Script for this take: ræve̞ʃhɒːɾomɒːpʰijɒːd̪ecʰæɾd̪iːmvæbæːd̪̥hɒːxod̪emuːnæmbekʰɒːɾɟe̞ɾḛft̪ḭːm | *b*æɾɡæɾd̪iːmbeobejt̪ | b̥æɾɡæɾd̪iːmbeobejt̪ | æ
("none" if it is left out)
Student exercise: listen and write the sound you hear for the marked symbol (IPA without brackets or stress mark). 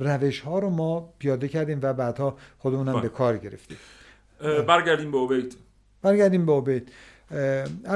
b